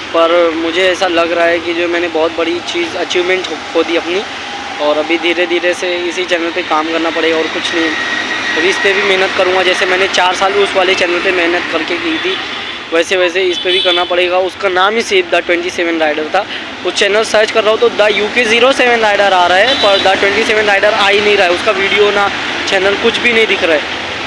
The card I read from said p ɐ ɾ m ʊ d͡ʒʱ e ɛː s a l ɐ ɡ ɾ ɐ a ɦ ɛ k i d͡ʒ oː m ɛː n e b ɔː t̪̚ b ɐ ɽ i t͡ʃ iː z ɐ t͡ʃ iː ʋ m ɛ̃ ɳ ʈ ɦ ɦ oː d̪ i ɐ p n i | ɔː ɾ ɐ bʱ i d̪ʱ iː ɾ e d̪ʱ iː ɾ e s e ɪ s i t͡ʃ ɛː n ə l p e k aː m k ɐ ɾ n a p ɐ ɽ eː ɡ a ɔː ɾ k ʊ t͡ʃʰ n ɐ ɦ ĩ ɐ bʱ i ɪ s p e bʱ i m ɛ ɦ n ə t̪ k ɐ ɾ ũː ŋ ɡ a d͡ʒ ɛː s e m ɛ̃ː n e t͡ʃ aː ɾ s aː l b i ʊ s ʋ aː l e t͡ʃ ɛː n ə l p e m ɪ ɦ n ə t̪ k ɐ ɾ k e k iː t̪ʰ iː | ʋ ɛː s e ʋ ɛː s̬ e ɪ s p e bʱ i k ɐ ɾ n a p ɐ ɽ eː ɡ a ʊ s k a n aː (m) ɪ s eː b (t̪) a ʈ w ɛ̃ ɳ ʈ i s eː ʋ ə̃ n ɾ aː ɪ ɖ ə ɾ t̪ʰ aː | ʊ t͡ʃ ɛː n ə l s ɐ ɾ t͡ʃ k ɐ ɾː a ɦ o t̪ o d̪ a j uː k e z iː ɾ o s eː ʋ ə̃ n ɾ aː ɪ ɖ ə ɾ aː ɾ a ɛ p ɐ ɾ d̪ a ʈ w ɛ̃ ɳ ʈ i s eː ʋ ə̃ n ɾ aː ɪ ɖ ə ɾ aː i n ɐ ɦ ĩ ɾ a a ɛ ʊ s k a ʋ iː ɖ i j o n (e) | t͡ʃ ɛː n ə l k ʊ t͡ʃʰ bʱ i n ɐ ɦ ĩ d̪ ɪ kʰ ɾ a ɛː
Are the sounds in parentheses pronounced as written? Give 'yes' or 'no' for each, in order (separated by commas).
yes, no, no